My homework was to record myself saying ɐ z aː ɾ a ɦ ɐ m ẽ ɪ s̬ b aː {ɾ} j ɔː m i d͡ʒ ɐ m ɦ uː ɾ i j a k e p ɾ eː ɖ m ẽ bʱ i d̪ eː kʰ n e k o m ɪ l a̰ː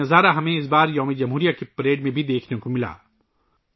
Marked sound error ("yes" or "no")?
no